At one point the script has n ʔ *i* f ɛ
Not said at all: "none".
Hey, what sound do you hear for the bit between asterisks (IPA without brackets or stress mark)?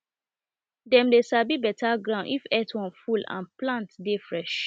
i